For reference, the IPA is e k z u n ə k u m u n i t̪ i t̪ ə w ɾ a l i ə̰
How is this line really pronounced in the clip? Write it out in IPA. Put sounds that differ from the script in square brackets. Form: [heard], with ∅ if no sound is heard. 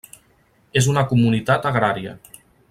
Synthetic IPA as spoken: e [∅] z u n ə k u m u n i t̪ [a] t̪ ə [ɣ] ɾ a [ɾ] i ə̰